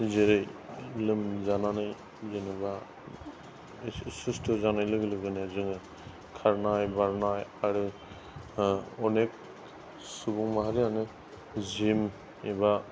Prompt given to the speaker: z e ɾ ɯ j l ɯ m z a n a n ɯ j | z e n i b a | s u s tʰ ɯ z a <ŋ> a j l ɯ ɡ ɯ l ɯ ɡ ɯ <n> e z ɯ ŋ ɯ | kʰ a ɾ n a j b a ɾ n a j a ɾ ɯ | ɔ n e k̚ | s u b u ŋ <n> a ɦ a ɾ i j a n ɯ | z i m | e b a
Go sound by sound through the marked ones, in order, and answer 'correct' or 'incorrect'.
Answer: incorrect: n, correct, incorrect: m

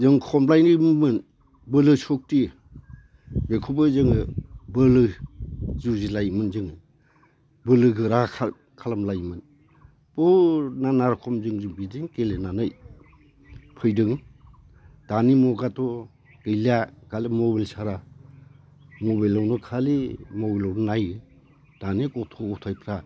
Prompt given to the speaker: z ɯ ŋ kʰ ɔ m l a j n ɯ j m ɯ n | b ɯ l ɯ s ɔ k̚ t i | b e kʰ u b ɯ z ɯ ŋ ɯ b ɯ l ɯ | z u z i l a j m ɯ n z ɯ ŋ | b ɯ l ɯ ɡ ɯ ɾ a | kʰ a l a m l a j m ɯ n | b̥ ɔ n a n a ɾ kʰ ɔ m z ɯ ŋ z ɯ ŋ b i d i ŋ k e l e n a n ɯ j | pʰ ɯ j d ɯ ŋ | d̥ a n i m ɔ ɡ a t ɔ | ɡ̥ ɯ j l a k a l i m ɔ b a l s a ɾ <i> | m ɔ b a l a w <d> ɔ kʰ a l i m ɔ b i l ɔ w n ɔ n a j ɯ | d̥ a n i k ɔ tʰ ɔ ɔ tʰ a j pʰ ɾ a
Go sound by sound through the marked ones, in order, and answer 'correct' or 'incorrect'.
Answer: incorrect: a, incorrect: n

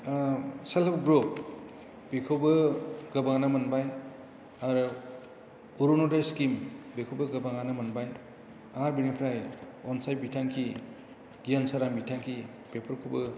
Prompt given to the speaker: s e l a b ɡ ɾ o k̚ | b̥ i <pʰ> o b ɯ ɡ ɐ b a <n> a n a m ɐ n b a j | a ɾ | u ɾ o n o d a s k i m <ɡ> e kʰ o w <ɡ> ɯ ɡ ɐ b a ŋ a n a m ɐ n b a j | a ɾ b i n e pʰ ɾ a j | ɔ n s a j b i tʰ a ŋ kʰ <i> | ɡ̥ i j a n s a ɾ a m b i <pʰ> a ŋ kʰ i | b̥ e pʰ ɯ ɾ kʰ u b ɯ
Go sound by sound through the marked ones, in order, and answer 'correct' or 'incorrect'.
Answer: incorrect: kʰ, incorrect: ŋ, incorrect: b, incorrect: b, correct, incorrect: tʰ

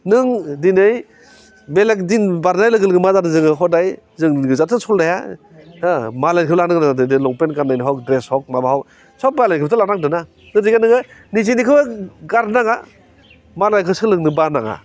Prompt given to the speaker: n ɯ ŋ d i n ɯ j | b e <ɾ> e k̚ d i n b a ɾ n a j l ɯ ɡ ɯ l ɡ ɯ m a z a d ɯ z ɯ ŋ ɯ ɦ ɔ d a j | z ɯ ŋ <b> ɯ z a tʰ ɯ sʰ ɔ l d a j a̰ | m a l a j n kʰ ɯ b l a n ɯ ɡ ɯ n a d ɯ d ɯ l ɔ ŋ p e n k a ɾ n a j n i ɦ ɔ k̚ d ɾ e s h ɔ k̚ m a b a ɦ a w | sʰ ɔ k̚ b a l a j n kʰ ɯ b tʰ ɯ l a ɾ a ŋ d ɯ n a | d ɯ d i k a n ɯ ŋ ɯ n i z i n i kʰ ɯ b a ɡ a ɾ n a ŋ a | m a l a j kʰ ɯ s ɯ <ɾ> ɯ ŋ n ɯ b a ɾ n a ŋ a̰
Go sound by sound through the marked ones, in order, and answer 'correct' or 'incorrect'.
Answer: incorrect: l, incorrect: ɡ, incorrect: l

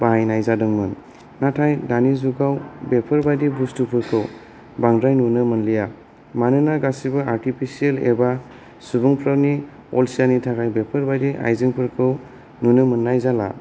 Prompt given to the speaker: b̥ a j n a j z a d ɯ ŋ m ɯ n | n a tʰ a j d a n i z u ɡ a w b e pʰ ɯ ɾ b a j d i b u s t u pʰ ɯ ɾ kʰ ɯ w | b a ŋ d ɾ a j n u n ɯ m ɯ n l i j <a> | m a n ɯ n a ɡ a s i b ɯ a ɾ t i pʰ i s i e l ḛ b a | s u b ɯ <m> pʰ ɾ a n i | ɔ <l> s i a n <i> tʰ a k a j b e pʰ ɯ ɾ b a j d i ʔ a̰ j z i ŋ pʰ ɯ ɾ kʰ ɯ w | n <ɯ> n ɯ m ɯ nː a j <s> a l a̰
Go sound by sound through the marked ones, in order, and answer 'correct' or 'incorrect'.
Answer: correct, incorrect: ŋ, correct, correct, incorrect: u, incorrect: z

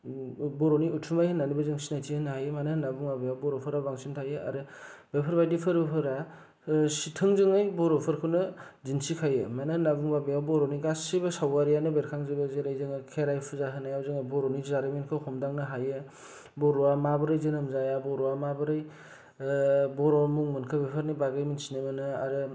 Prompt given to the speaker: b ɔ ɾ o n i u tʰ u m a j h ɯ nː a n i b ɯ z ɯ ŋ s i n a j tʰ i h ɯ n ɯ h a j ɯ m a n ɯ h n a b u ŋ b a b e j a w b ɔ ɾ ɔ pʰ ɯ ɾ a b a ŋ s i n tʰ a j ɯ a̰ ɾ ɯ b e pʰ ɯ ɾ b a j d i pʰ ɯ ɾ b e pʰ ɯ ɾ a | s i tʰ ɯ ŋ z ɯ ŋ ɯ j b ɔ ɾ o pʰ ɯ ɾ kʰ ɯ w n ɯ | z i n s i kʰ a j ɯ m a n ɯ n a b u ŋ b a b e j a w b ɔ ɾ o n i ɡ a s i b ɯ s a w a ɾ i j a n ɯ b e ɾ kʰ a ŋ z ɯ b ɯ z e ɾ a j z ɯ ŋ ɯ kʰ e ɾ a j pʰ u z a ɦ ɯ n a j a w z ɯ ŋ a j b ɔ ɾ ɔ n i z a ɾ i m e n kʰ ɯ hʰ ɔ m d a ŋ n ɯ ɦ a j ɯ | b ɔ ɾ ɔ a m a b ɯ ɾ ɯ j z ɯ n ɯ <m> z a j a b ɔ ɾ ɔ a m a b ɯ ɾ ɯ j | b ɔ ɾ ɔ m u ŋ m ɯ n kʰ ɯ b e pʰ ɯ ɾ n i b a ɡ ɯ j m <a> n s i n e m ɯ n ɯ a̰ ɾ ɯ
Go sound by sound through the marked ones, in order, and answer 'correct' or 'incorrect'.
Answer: correct, incorrect: i

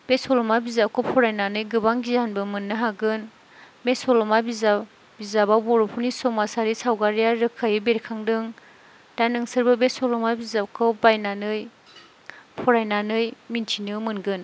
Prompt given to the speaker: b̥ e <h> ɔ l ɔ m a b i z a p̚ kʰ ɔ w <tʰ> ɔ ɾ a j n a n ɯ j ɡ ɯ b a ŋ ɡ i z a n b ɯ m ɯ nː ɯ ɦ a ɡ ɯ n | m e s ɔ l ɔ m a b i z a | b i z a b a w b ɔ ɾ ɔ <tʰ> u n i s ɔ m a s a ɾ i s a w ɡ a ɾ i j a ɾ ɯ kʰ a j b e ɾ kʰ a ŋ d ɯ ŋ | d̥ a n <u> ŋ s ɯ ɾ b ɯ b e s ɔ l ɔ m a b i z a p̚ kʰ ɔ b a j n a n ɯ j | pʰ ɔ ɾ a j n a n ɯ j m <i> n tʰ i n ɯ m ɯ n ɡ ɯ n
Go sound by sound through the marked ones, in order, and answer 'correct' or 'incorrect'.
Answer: incorrect: s, incorrect: pʰ, incorrect: pʰ, incorrect: ɯ, correct

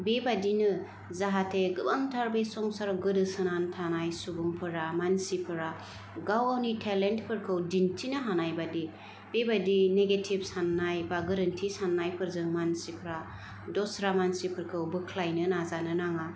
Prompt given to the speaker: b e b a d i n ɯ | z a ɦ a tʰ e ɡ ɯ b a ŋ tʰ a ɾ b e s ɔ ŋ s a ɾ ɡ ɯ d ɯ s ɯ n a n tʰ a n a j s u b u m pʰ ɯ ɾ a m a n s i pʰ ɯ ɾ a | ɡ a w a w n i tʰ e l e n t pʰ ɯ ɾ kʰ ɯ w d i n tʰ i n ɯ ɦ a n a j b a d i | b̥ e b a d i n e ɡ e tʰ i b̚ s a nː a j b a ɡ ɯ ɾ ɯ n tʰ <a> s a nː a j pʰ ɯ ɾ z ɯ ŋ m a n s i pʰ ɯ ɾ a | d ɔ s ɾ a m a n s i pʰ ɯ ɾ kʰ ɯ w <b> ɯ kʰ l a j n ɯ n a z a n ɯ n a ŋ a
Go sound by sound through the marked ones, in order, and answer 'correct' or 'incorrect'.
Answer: incorrect: i, correct

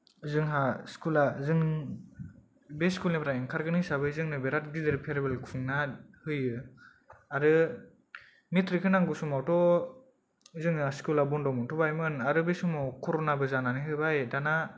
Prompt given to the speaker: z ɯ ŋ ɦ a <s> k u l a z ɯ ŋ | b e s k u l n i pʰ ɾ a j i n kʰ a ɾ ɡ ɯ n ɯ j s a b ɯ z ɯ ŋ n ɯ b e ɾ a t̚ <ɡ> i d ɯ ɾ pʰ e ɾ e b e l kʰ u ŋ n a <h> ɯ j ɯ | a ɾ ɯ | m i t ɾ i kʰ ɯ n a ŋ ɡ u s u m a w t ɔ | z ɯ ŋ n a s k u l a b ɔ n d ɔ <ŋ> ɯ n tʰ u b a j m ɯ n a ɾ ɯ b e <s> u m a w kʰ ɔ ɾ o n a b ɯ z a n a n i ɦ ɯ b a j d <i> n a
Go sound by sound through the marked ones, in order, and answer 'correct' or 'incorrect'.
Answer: correct, correct, correct, incorrect: m, correct, incorrect: a

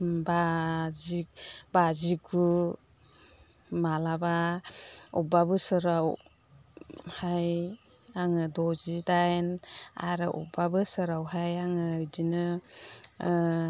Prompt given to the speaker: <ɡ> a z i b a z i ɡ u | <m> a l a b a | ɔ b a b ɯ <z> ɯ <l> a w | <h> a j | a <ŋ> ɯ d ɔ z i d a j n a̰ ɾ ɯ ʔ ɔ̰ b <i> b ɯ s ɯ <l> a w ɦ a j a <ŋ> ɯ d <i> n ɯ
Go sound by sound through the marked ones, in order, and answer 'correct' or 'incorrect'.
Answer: incorrect: b, correct, incorrect: s, incorrect: ɾ, correct, correct, incorrect: a, incorrect: ɾ, correct, correct

